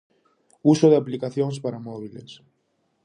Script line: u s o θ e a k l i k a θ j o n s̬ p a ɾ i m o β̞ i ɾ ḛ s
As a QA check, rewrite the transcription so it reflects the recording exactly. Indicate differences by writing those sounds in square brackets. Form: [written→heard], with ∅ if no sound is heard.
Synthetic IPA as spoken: u s o [θ→ð] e a [k→p] l i k a θ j o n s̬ p a ɾ [i→a] m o β̞ i [ɾ→l] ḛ s